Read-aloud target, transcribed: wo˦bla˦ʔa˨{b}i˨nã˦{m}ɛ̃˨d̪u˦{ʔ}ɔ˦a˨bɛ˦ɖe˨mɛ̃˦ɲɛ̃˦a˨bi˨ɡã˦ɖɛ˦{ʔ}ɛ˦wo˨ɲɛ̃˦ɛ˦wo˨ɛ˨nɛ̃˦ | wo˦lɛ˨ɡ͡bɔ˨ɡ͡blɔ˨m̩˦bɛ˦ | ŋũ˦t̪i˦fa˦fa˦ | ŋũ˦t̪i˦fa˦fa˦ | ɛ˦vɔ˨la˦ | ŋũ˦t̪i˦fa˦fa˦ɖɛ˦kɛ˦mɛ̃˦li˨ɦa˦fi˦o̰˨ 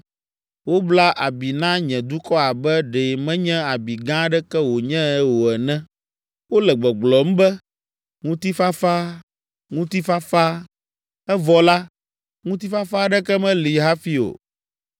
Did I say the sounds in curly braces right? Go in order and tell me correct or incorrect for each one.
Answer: correct, incorrect: ɲ, incorrect: k, incorrect: k

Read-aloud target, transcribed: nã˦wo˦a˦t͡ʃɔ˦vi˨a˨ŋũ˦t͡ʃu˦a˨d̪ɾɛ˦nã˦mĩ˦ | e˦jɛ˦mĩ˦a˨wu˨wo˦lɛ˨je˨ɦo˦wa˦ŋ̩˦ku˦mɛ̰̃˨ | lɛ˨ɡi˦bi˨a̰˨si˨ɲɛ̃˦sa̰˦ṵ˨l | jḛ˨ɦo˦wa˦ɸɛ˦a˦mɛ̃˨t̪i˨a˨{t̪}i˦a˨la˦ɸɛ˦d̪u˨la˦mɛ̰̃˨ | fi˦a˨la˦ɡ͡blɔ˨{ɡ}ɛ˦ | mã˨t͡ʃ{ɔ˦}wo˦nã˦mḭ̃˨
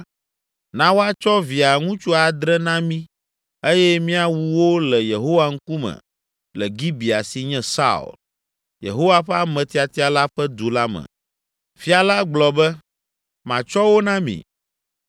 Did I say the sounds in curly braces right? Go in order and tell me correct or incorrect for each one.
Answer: correct, incorrect: b, correct

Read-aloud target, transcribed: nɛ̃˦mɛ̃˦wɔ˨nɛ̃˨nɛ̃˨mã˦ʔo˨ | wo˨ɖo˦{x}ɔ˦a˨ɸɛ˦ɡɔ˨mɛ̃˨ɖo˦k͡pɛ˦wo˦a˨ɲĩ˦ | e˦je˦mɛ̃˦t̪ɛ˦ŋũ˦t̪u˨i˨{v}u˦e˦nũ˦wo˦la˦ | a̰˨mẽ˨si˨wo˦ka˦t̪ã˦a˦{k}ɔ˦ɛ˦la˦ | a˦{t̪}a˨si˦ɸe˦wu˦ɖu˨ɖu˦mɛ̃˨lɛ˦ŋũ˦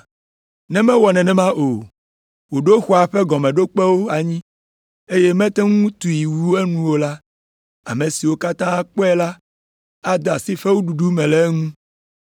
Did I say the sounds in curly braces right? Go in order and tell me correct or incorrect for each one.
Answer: correct, incorrect: w, incorrect: k͡p, incorrect: d̪

